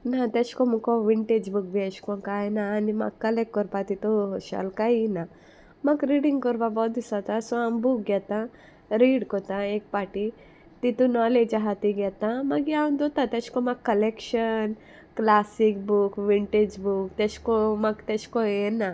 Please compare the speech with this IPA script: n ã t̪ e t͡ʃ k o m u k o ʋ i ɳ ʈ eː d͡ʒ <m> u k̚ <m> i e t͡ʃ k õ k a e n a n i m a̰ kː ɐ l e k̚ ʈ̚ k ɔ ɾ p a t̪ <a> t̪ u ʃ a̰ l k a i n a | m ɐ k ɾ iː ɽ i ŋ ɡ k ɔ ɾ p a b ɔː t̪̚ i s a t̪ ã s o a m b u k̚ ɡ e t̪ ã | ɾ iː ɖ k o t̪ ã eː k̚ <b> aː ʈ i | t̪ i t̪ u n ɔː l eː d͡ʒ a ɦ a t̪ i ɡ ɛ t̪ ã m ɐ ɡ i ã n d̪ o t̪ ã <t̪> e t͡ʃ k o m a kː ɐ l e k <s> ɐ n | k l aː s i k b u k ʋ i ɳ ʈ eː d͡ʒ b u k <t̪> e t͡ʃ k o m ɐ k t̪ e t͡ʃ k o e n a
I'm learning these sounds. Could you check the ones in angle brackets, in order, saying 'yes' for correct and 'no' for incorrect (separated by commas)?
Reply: no, no, no, no, yes, no, yes